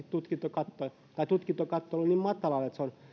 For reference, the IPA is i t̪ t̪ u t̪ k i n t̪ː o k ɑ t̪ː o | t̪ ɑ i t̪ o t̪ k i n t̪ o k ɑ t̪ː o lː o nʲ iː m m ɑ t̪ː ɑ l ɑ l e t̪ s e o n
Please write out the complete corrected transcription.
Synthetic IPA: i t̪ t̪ u t̪ k i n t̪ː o k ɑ t̪ː o | t̪ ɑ i t̪ u t̪ k i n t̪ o k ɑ t̪ː o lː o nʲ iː m m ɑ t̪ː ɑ l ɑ l e t̪ s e o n